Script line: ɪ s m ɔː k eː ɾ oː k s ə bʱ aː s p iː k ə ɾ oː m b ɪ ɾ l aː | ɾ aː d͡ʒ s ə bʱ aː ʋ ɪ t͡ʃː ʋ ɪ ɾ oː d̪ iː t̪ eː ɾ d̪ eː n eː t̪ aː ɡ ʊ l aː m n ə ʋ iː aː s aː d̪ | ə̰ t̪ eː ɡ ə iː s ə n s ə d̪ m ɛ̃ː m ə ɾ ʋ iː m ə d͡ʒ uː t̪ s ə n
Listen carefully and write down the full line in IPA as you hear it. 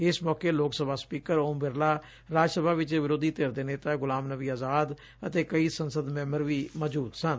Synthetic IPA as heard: ɪ s m ɔː k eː l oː k s ə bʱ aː s p iː k ə ɾ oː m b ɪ ɾ l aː | ɾ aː d͡ʒ s ə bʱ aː ʋ ɪ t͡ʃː ʋ ɪ ɾ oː d̪ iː t̪ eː ɾ d̪ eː n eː t̪ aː ɡ ʊ l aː m n ə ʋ iː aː z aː d̪ | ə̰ t̪ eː k ə iː s ə n s ə d̪ m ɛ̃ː m ə ɾ ʋ iː m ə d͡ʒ uː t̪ s ə n

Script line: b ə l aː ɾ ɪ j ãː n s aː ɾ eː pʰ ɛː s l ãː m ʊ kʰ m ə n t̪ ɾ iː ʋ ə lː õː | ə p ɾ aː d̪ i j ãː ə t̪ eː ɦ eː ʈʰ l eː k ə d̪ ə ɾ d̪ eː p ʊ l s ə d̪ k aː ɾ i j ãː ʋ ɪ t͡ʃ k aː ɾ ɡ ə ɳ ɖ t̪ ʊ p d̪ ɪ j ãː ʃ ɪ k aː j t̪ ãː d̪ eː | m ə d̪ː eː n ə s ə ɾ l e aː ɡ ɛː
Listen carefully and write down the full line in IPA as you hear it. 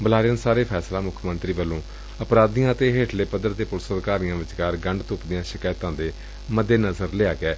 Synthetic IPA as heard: b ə l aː ɾ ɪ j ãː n s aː ɾ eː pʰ ɛː s l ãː m ʊ kʰ m ə n t̪ ɾ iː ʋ ə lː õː | ə p ɾ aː d̪ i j ãː ə t̪ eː ɦ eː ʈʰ l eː p ə d̪ ə ɾ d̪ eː p ʊ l s ə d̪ k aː ɾ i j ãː ʋ ɪ t͡ʃ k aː ɾ ɡ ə ɳ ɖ t̪ ʊ p d̪ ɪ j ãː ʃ ɪ k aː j t̪ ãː d̪ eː | m ə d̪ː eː n ə z ə ɾ l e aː ɡ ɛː

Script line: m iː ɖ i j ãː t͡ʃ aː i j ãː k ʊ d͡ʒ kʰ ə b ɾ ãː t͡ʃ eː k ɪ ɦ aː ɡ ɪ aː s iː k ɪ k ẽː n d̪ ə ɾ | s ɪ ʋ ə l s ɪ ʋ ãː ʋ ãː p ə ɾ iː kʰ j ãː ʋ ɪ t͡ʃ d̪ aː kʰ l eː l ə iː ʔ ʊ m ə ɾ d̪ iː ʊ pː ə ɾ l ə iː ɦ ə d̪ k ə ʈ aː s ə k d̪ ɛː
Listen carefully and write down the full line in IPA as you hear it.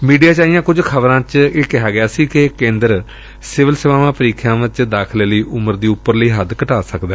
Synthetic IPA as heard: m iː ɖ i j aː t͡ʃ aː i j ãː k ʊ d͡ʒ kʰ ə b ɾ ãː t͡ʃ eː k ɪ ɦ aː ɡ ɪ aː s iː k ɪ k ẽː n d̪ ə ɾ | s ɪ ʋ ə l s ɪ ʋ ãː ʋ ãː p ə ɾ iː kʰ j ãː ʋ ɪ t͡ʃ d̪ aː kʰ l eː l ə iː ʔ ʊ m ə ɾ d̪ iː ʊ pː ə ɾ l ə iː ɦ ə d̪ k ə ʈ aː s ə k d̪ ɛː

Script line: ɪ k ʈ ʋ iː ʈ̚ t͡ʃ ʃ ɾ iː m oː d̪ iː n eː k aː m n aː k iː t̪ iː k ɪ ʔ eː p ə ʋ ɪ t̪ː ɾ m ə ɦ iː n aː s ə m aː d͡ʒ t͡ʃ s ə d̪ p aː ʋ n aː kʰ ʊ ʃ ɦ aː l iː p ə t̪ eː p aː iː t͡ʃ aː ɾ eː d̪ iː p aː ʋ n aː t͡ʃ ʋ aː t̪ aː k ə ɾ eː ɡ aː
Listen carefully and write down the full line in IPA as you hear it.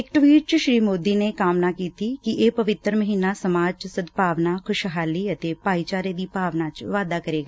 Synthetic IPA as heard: ɪ k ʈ ʋ iː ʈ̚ t͡ʃ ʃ ɾ iː m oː d̪ iː n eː k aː m n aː k iː t̪ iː k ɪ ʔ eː p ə ʋ ɪ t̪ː ɾ m ə ɦ iː n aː s ə m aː d͡ʒ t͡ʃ s ə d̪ p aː ʋ n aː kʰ ʊ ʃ ɦ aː l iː ə t̪ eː p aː iː t͡ʃ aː ɾ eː d̪ iː p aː ʋ n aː t͡ʃ ʋ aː d̪ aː k ə ɾ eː ɡ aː

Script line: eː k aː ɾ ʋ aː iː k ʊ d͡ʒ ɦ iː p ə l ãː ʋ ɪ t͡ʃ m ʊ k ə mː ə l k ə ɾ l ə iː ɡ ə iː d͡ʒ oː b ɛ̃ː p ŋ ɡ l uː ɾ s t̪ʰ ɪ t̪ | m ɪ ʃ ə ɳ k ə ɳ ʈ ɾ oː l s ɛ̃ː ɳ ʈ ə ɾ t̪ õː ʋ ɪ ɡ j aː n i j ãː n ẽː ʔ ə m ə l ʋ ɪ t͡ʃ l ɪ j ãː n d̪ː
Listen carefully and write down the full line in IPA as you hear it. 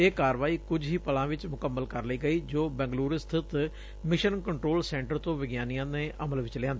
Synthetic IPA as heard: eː k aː ɾ ʋ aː iː k ʊ d͡ʒ ɦ iː p ə l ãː ʋ ɪ t͡ʃ m ʊ k ə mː ə l k ə ɾ l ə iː ɡ ə iː d͡ʒ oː b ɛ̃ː ŋ ɡ l uː ɾ s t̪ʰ ɪ t̪ | m ɪ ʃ ə n k ə ɳ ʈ ɾ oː l s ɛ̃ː ɳ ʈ ə ɾ t̪ õː ʋ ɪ ɡ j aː n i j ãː n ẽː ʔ ə m ə l ʋ ɪ t͡ʃ l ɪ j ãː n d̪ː

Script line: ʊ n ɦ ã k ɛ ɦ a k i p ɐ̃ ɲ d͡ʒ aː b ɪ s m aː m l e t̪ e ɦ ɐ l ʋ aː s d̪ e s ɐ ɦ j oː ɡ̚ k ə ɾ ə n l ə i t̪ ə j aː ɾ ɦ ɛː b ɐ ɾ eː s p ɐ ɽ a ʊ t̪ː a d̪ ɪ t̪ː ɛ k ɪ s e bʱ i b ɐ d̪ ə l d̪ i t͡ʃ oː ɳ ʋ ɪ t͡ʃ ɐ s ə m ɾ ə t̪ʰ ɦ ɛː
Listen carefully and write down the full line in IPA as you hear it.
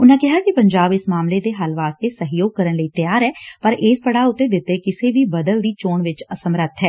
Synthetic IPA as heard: ʊ n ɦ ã k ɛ ɦ a k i p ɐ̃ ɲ d͡ʒ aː b ɪ s m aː m l e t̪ e ɦ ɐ l ʋ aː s t̪ e s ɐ ɦ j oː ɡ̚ k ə ɾ ə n l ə i t̪ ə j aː ɾ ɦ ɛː p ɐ ɾ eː s p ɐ ɽ a ʊ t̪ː e d̪ ɪ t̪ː e k ɪ s e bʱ i b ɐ d̪ ə l d̪ i t͡ʃ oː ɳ ʋ ɪ t͡ʃ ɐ s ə m ɾ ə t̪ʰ ɦ ɛː

